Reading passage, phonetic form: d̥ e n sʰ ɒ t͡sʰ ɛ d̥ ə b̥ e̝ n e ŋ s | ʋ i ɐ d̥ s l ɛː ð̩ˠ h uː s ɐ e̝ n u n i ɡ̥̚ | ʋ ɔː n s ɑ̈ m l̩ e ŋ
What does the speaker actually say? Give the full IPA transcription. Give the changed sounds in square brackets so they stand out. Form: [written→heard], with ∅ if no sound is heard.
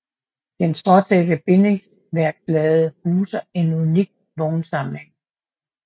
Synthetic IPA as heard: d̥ e n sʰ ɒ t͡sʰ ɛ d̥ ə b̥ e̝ n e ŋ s | ʋ [i→æ] ɐ [d̥→ɡ̥] s l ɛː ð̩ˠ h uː s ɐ e̝ n u n i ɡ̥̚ | ʋ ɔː n s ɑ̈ m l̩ e ŋ